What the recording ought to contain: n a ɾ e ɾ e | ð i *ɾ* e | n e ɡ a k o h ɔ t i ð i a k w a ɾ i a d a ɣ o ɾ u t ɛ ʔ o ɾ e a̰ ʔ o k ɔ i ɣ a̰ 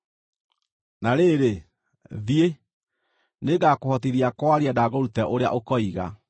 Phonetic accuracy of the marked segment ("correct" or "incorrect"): incorrect